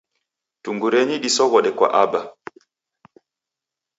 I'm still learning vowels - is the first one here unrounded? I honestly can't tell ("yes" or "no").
no